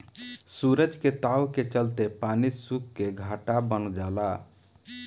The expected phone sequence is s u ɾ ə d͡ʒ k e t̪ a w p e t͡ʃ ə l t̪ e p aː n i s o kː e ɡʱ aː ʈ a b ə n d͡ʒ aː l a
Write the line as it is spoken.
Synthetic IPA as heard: s u ɾ ə d͡ʒ k e t̪ a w k e t͡ʃ ə l t̪ e p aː n i s u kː e ɡʱ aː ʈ a b ə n d͡ʒ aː l a